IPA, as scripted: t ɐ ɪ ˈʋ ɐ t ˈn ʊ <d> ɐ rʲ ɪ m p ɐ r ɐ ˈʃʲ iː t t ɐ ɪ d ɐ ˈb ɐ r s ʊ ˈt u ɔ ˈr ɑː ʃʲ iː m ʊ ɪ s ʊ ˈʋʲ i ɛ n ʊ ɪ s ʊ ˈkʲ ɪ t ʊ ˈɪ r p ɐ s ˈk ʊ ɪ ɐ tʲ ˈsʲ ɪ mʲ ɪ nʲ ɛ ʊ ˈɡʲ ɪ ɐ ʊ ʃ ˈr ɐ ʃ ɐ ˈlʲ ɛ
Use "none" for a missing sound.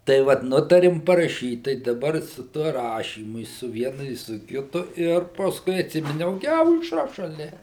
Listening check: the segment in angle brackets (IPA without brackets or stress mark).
t